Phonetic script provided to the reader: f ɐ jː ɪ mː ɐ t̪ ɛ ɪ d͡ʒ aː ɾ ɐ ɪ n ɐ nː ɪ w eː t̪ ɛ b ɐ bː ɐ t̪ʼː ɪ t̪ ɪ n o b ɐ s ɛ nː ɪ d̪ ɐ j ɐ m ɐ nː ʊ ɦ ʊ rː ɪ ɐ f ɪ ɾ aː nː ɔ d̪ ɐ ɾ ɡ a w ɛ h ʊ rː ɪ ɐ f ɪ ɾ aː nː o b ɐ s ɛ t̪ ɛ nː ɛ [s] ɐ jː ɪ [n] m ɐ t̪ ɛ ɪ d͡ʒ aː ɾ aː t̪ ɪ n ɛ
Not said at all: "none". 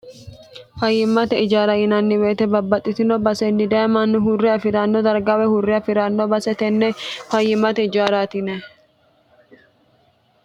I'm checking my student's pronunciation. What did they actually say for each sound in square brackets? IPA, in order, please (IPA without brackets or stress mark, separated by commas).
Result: f, none